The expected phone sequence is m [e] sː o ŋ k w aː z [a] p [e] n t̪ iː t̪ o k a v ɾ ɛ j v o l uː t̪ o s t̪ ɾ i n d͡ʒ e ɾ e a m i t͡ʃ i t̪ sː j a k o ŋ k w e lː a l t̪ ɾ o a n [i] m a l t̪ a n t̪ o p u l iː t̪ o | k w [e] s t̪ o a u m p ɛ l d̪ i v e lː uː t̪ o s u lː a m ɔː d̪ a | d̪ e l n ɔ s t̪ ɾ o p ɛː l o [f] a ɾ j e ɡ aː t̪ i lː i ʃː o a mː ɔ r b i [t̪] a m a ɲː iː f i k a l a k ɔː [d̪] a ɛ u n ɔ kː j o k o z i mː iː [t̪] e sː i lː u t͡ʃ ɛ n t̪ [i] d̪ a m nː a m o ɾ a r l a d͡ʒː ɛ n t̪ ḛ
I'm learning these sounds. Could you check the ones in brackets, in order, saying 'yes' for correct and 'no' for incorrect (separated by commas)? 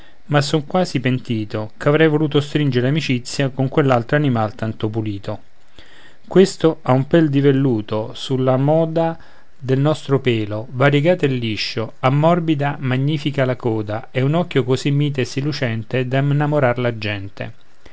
no, no, yes, yes, yes, no, no, yes, yes, no